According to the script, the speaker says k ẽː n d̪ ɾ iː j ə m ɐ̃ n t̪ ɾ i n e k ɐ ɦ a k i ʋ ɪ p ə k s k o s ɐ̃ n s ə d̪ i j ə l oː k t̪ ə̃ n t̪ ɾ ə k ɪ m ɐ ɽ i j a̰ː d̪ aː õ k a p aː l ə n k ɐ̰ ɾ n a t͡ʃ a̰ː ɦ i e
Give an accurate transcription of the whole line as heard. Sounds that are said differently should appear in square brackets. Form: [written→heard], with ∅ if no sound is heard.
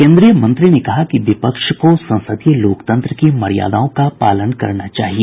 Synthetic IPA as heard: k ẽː n d̪ ɾ [iː→i] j ə m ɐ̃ n t̪ ɾ i n e k ɐ ɦ a k i ʋ ɪ p ə k [s→ʃ] k o s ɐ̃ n s ə d̪ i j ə l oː k t̪ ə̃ n t̪ ɾ ə k [ɪ→i] m ɐ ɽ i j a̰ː d̪ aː õ k a p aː l ə n k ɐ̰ ɾ n a t͡ʃ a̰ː ɦ i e

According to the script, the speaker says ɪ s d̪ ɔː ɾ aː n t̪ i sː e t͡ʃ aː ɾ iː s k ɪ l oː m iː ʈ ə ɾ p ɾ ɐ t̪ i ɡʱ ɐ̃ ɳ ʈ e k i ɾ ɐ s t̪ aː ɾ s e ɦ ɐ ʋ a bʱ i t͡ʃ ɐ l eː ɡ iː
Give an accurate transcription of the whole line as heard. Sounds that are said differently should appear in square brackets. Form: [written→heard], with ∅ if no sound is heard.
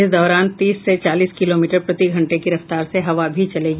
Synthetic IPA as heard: ɪ s d̪ ɔː ɾ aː n t̪ [i→iː] sː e t͡ʃ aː [ɾ→l] iː s k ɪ l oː m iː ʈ ə ɾ p ɾ ɐ t̪ i ɡʱ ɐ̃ ɳ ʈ e k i ɾ ɐ [s→f] t̪ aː ɾ s e ɦ ɐ ʋ a bʱ i t͡ʃ ɐ l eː ɡ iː

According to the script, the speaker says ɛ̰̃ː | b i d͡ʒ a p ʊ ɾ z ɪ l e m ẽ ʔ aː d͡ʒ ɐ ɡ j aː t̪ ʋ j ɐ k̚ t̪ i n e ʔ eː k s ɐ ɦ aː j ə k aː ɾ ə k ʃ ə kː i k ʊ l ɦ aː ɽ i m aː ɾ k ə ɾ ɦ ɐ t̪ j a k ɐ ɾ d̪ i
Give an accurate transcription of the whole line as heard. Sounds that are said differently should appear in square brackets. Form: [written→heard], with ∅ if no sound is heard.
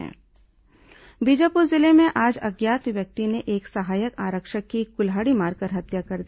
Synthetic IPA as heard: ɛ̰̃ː | b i d͡ʒ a p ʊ ɾ z ɪ l e m ẽ ʔ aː d͡ʒ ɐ ɡ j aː t̪ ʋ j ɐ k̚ t̪ i n e ʔ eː k s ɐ ɦ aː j ə k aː ɾ ə k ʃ ə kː i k ʊ l ɦ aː ɽ i m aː ɾ k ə ɾ ɦ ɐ t̪ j a k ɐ ɾ d̪ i

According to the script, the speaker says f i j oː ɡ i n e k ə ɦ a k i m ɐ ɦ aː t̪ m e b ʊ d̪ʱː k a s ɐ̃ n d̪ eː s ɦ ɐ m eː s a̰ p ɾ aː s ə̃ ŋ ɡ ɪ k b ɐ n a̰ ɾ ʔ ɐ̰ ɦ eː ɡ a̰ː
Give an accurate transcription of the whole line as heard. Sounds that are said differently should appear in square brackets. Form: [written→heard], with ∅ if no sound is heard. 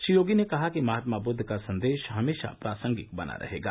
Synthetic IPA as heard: [f→ʃ] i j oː ɡ i n e k [ə→ɐ] ɦ a k i m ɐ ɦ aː t̪ m [e→a] b ʊ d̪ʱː k a s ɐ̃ n d̪ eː [s→ʃ] ɦ ɐ m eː [s→ʃ] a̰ p ɾ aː s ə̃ ŋ ɡ ɪ k b ɐ n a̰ ɾ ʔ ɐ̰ ɦ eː ɡ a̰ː

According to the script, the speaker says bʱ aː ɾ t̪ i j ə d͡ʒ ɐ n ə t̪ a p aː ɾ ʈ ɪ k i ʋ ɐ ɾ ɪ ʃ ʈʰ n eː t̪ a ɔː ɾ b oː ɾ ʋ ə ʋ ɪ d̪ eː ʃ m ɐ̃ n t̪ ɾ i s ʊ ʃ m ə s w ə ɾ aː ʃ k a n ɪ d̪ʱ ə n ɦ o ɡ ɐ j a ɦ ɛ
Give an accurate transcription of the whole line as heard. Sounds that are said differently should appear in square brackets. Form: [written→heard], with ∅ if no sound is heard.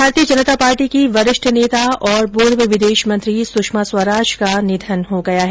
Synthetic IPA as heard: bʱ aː ɾ t̪ i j ə d͡ʒ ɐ n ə t̪ a p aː ɾ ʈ [ɪ→i] k i ʋ ɐ ɾ ɪ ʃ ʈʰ n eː t̪ a ɔː ɾ b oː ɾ ʋ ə ʋ ɪ d̪ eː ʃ m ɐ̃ n t̪ ɾ i s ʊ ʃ m [ə→a] s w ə ɾ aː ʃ k a n ɪ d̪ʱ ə n ɦ o ɡ ɐ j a ɦ ɛ

